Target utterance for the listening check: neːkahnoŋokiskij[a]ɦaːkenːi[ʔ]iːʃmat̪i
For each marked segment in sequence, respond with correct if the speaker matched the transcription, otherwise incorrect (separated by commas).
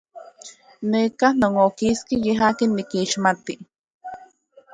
incorrect, incorrect